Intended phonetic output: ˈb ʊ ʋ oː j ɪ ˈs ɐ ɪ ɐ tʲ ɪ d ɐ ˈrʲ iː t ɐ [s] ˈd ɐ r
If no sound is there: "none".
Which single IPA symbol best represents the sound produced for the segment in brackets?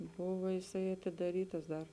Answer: s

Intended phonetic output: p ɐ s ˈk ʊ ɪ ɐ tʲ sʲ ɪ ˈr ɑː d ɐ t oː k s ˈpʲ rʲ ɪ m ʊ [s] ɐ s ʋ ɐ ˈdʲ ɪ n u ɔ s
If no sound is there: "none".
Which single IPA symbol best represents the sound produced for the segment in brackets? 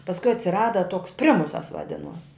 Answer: s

